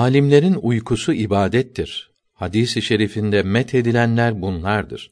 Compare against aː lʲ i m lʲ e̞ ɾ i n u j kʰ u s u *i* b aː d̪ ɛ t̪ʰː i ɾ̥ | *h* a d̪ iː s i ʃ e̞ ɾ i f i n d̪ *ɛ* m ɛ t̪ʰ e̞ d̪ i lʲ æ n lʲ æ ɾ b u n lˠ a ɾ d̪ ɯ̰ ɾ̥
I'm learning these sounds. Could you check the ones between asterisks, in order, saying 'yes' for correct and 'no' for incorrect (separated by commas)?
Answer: yes, yes, yes